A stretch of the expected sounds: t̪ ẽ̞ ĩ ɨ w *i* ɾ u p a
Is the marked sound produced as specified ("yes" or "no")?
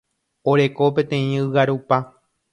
no